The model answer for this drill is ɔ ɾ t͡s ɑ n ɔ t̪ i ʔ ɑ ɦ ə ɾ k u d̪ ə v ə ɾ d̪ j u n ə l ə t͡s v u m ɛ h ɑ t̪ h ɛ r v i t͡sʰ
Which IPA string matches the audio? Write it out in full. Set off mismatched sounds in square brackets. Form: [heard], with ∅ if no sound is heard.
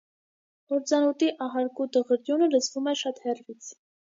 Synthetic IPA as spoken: ɔ ɾ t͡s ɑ n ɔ t̪ i ʔ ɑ ɦ [ɑ] ɾ k u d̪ ə [ʁ] ə ɾ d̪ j u n ə l ə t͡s v u m ɛ [ʃ] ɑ t̪ h ɛ r v i t͡sʰ